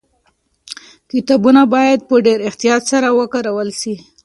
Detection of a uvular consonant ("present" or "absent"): absent